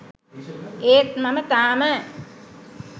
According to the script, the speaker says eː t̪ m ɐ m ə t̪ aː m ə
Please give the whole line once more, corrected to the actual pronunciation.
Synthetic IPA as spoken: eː t̪ m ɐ m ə t̪ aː m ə